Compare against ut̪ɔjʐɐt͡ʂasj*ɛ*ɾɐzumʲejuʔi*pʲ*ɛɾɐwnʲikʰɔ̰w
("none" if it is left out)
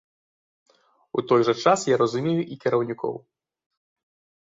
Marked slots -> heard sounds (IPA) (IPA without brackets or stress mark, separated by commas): a, kʲ